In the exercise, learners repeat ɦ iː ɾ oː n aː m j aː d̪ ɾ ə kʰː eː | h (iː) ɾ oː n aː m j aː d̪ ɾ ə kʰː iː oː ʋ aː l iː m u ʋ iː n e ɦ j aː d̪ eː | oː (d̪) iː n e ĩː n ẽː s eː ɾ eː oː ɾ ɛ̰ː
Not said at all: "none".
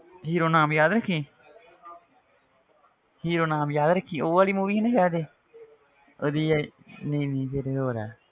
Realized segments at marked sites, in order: iː, d̪

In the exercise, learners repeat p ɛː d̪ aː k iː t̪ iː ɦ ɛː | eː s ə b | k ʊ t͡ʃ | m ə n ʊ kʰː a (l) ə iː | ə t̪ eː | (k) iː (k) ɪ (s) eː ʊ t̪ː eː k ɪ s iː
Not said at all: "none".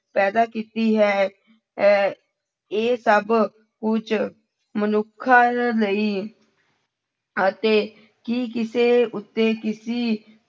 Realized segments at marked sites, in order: l, k, k, s

